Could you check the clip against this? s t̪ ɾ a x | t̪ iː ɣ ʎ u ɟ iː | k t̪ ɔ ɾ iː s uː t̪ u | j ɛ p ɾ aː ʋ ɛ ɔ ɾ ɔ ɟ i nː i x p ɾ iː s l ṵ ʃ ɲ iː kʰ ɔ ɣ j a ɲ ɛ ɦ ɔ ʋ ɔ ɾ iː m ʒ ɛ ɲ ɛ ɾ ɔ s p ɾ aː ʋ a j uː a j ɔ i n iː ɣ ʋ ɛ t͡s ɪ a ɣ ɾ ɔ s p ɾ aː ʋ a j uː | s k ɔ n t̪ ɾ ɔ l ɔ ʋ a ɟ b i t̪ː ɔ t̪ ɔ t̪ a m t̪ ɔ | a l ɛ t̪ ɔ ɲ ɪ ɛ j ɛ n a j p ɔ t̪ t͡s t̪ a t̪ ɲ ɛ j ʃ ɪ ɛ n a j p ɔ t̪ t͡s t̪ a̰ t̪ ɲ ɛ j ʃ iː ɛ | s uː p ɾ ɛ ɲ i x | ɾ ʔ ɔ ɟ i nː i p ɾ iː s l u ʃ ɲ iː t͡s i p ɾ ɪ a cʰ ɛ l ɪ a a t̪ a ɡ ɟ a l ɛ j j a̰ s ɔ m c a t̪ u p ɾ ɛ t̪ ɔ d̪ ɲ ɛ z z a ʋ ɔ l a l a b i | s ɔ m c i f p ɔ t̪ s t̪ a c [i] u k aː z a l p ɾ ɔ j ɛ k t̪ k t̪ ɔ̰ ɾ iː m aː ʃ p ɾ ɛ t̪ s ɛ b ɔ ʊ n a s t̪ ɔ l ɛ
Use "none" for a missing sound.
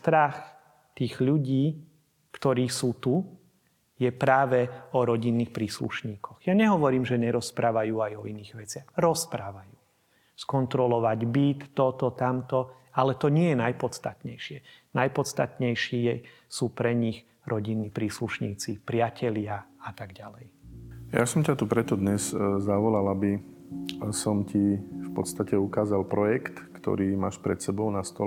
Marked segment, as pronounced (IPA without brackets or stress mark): ɛ